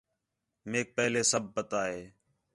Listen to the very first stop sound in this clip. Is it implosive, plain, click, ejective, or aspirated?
plain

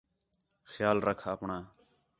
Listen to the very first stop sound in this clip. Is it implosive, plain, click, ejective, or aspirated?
aspirated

